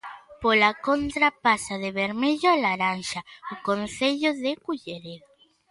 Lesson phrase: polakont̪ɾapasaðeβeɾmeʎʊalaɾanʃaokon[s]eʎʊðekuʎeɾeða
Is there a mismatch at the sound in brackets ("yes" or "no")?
yes